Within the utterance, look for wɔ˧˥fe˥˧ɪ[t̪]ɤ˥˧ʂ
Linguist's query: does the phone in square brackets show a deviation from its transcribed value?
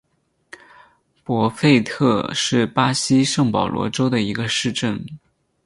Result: yes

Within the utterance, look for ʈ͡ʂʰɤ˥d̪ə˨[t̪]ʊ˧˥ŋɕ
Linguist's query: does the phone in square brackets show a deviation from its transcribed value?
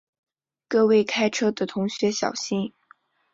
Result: yes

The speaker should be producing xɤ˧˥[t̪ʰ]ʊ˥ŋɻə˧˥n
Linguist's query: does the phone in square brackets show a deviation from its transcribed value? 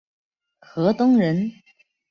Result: yes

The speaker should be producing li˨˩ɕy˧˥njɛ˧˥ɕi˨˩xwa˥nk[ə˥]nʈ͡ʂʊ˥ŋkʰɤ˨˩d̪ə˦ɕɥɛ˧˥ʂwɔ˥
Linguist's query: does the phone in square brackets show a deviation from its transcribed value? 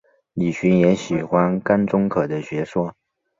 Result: yes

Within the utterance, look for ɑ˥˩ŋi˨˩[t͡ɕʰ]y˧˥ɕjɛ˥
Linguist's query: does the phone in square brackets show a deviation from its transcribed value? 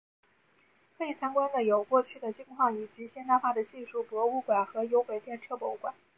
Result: yes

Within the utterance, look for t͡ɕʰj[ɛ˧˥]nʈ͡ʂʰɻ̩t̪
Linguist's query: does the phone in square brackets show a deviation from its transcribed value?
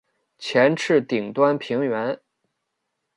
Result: no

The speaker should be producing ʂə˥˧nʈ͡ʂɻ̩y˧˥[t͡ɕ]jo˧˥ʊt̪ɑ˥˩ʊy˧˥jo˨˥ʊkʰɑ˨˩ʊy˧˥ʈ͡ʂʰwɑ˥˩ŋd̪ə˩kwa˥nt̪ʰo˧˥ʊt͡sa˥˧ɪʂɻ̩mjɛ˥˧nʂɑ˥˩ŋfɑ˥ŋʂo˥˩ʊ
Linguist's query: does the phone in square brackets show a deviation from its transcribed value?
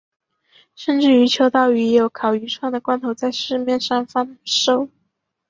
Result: yes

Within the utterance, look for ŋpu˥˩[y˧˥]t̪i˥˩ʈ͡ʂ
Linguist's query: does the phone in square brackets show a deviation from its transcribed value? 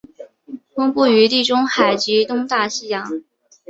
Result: no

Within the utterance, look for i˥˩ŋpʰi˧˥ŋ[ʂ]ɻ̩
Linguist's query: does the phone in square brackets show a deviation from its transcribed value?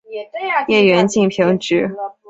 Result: yes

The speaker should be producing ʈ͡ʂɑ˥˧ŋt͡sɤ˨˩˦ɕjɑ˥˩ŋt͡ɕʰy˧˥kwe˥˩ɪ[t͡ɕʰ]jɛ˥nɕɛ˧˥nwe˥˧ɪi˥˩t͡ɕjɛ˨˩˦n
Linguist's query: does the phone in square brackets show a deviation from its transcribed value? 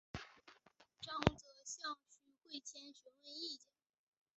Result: no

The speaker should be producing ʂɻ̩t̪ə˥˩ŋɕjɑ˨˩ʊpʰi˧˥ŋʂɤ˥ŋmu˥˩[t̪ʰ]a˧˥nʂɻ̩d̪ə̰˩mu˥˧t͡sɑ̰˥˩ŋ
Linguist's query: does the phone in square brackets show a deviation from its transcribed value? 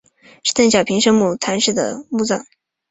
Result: no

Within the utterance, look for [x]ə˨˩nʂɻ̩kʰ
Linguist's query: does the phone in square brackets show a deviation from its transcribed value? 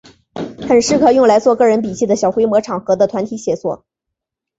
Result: no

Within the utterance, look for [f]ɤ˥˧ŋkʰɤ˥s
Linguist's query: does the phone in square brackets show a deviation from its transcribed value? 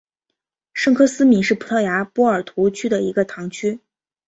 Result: yes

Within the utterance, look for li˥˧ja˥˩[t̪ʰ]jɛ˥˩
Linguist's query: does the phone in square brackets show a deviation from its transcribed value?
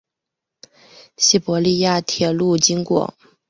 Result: no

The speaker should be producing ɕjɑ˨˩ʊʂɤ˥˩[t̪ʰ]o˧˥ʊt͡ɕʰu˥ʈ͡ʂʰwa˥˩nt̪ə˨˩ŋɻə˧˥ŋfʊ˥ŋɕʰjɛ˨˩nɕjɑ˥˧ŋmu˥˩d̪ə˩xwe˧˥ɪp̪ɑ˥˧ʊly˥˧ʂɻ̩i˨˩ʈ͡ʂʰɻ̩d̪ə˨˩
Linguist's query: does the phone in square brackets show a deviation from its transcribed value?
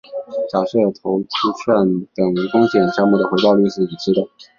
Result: no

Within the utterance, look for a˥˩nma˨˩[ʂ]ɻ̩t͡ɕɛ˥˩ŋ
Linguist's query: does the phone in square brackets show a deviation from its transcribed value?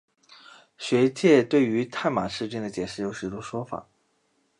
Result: no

